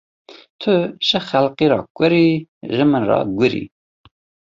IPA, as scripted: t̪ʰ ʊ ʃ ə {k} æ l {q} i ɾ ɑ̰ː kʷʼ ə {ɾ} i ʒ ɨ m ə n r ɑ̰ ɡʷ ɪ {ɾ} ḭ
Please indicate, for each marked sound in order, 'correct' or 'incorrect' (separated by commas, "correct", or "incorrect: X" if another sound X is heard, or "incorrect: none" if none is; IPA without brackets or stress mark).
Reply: incorrect: x, correct, correct, correct